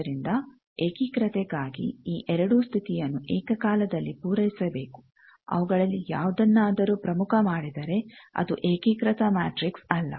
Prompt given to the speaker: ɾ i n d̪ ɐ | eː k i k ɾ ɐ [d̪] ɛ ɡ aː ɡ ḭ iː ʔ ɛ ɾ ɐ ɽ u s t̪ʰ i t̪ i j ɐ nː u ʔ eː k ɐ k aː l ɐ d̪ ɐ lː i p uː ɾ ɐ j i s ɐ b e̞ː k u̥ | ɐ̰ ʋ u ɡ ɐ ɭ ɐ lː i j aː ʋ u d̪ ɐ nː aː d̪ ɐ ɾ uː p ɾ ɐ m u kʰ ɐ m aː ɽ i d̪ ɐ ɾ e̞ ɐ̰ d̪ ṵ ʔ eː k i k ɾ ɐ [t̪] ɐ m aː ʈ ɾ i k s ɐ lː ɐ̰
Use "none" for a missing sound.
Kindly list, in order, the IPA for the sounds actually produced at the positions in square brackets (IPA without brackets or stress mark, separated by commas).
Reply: t̪, t̪